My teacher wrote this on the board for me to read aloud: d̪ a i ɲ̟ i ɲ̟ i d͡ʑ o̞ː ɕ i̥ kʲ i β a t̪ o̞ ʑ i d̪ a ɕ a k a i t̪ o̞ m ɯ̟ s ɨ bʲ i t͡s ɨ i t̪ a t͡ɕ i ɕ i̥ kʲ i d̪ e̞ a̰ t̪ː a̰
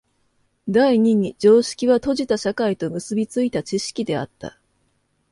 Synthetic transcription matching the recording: d̪ a i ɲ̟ i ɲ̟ i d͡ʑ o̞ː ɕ i̥ kʲ i β a t̪ o̞ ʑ i t̪ a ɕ a k a i t̪ o̞ m ɯ̟ s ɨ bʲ i t͡s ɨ i t̪ a t͡ɕ i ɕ i̥ kʲ i d̪ e̞ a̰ t̪ː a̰